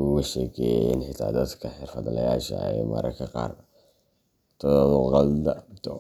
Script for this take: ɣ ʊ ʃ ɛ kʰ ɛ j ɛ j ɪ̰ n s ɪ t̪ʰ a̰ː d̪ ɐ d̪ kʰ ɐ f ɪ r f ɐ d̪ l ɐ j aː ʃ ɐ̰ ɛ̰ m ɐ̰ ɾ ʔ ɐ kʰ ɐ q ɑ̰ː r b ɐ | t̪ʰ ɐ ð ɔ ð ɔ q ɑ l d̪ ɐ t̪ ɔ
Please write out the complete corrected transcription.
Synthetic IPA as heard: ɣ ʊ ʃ ɛ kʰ ɛ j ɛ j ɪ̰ n ħ ɪ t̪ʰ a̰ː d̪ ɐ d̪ kʰ ɐ ħ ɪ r f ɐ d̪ l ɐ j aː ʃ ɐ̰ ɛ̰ m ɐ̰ ɾ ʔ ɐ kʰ ɐ q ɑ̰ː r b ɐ | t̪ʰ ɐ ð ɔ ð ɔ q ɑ l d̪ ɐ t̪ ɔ